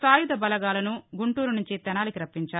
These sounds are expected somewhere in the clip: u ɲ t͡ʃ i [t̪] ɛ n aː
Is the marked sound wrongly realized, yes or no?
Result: no